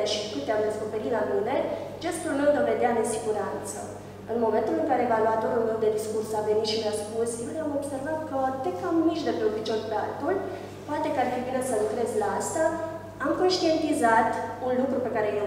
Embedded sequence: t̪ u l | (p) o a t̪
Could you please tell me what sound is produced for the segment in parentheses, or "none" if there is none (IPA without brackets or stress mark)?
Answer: p